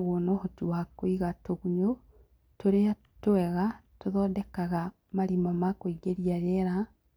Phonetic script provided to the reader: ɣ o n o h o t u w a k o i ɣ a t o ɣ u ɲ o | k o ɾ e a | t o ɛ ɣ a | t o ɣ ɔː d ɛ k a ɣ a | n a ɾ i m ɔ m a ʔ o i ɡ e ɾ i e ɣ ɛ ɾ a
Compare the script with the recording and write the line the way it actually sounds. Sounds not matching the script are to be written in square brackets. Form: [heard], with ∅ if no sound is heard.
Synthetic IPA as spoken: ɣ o n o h o t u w a k o i ɣ a t o ɣ u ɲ o | [t] o ɾ e a | t o ɛ ɣ a | t o [ð] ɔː d ɛ k a ɣ a | [m] a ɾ i m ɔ m a [k] o i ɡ e ɾ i [a] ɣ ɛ ɾ a